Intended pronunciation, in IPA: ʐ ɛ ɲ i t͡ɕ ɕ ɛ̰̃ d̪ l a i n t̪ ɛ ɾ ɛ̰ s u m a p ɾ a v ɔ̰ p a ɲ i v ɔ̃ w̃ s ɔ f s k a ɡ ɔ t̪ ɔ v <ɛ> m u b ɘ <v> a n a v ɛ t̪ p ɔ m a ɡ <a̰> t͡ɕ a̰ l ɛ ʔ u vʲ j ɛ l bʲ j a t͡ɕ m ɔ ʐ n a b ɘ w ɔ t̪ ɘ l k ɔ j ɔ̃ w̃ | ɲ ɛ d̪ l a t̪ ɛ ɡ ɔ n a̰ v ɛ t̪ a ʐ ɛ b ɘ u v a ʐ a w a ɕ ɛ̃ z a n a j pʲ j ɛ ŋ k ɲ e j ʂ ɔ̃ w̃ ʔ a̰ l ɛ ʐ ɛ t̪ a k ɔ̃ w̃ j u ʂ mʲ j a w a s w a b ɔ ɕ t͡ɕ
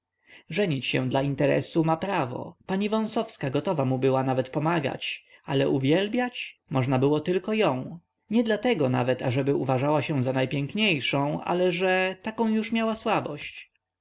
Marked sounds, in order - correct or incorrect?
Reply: incorrect: a, incorrect: w, correct

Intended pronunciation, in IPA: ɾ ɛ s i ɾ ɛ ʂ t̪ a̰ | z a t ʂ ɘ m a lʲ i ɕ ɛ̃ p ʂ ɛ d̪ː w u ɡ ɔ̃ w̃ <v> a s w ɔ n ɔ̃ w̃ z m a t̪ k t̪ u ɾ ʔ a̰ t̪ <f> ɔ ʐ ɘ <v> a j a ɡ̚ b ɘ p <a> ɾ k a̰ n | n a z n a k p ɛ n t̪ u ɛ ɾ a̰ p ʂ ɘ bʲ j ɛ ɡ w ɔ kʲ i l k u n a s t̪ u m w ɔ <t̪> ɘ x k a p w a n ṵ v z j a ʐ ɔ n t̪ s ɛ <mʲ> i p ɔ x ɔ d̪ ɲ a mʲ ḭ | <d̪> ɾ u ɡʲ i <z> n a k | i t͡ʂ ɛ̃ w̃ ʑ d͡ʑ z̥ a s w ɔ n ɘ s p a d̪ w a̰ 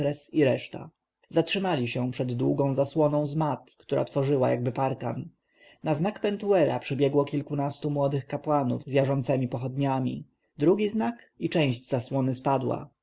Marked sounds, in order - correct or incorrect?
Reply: incorrect: z, correct, incorrect: w, correct, incorrect: d̪, correct, correct, correct

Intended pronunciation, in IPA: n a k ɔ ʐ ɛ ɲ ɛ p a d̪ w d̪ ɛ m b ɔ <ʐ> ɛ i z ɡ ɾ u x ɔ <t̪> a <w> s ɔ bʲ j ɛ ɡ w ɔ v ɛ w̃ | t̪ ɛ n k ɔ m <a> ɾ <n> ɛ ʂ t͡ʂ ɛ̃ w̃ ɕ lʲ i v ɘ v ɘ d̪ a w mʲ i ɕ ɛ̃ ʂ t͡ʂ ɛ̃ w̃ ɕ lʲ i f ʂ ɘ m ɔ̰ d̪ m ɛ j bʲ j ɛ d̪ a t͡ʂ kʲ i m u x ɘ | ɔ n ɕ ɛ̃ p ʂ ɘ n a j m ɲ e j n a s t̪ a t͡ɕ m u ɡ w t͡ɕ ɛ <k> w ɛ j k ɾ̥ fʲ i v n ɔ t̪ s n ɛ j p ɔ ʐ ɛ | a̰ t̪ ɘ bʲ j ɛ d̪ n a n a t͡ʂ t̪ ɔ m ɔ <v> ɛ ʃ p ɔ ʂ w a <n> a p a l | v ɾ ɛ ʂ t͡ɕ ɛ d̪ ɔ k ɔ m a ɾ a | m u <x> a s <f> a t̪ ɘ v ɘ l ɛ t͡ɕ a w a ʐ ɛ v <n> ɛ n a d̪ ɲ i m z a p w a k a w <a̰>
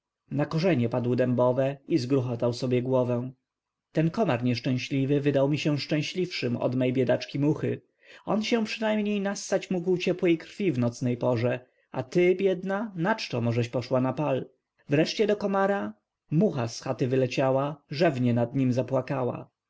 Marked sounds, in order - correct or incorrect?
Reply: incorrect: v, correct, correct, correct, incorrect: ɲ, incorrect: p, incorrect: ʐ, correct, correct, incorrect: x, incorrect: ɲ, correct

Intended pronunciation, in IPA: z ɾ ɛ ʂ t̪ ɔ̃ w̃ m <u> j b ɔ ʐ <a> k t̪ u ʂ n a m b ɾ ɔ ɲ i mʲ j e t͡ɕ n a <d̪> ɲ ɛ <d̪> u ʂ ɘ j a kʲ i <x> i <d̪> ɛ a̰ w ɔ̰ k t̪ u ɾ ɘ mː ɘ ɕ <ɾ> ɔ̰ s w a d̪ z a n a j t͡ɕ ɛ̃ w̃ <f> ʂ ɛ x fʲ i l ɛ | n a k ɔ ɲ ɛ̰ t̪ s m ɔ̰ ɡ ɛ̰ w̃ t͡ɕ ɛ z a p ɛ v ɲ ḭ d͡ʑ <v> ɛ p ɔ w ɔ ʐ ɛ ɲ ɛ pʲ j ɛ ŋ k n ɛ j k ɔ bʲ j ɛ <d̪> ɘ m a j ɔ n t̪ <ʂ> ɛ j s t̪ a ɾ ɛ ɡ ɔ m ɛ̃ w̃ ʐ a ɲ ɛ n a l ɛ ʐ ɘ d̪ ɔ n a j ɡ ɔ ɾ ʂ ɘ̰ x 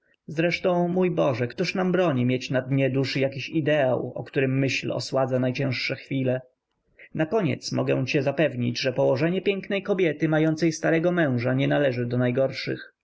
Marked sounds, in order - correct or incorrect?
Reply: correct, incorrect: ɛ, correct, correct, incorrect: ɕ, correct, incorrect: l, incorrect: ʂ, incorrect: ʐ, incorrect: t̪, incorrect: s

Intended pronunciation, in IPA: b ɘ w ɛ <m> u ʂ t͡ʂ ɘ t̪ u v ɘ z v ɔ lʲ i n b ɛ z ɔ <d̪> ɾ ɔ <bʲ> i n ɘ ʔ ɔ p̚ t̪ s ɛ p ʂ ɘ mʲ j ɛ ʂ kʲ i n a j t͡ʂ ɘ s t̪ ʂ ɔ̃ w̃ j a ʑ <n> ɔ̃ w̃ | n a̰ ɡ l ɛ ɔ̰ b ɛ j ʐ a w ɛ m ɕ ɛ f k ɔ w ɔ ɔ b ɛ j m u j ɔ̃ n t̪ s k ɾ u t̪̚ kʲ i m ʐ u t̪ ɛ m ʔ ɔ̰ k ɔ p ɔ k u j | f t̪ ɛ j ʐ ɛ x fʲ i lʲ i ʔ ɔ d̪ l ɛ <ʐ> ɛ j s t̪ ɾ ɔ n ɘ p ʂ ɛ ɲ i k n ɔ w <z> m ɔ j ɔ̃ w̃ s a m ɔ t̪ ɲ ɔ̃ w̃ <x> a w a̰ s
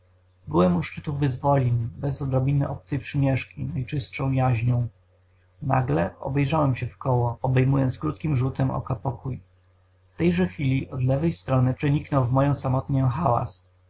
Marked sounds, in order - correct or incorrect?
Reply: correct, correct, correct, incorrect: ɲ, incorrect: v, incorrect: v, correct

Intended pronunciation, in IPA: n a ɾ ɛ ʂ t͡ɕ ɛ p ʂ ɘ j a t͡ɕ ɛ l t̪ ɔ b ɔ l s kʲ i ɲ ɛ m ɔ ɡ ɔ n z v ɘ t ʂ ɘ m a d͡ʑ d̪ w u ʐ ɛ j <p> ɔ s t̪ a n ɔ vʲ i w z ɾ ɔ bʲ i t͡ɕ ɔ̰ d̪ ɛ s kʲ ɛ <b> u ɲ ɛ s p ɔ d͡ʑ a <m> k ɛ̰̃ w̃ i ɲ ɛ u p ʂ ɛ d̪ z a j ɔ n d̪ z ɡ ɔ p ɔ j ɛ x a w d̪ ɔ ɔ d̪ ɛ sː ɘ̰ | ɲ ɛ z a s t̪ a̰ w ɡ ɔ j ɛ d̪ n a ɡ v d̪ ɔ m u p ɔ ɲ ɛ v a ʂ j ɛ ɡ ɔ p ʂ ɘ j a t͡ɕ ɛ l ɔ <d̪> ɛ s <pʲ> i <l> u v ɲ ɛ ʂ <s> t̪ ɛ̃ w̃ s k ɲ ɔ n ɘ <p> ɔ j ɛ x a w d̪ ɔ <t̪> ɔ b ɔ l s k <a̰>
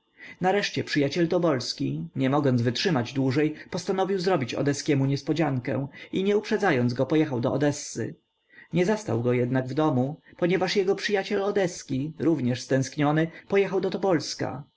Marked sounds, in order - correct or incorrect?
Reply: correct, incorrect: m, incorrect: ŋ, correct, incorrect: kʲ, incorrect: ɾ, correct, correct, correct, correct

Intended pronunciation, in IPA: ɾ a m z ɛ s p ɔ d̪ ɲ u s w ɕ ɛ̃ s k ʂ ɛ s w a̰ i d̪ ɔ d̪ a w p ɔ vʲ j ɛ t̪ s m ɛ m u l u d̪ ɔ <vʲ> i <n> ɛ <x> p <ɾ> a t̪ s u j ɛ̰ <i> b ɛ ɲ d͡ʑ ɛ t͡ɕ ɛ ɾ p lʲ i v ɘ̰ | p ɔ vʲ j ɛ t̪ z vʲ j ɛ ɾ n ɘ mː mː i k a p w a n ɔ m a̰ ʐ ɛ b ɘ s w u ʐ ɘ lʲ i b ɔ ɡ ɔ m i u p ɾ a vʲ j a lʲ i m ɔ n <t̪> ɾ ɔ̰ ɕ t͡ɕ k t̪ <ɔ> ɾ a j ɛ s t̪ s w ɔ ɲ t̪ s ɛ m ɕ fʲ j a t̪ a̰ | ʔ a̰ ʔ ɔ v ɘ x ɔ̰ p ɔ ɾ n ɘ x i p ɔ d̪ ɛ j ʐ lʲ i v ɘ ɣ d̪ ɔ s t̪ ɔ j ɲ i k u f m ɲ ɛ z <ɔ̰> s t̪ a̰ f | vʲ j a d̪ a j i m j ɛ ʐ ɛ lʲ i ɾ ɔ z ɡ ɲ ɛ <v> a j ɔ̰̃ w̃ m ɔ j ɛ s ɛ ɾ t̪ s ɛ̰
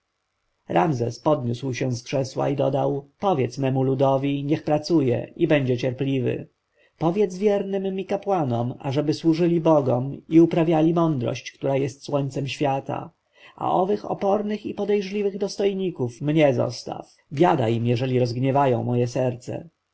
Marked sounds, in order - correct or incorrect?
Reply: correct, incorrect: ɲ, correct, correct, correct, incorrect: d̪, incorrect: u, correct, correct

